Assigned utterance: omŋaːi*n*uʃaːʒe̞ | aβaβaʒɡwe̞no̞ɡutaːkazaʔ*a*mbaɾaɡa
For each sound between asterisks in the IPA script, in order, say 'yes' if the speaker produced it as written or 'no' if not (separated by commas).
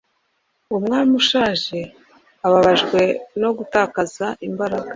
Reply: no, no